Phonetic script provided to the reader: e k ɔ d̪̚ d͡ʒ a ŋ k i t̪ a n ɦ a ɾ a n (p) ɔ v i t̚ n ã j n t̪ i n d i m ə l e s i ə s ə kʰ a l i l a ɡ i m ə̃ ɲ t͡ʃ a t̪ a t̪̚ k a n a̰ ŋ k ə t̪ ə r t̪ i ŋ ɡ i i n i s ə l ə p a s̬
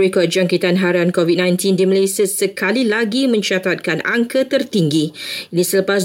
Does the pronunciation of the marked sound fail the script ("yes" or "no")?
yes